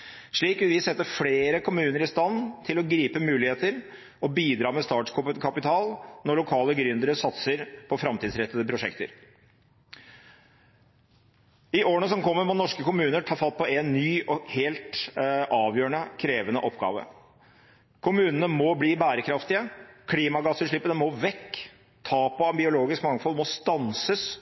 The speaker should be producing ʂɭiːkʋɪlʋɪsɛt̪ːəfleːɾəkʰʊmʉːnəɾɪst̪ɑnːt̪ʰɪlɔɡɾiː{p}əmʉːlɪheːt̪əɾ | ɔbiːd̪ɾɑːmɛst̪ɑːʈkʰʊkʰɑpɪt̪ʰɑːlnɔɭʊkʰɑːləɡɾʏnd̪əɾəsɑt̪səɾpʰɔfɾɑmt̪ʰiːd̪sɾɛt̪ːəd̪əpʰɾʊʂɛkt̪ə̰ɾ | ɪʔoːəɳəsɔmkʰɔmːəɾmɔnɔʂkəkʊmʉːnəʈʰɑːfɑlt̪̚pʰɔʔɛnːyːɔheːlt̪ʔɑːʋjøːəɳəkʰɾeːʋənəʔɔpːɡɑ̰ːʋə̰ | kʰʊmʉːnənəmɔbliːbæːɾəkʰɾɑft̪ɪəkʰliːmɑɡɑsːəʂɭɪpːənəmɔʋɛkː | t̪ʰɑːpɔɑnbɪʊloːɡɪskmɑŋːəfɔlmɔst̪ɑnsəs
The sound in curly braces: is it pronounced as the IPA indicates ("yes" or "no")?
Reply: yes